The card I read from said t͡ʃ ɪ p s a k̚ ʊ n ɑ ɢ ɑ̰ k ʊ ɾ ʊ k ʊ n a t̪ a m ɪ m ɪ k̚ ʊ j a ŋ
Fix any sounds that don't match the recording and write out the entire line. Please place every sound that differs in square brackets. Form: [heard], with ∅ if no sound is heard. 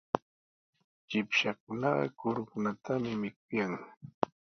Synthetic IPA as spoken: t͡ʃ ɪ p [ʃ] a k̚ ʊ n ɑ ɢ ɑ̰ k ʊ ɾ ʊ k ʊ n a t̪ a m ɪ m ɪ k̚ ʊ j a ŋ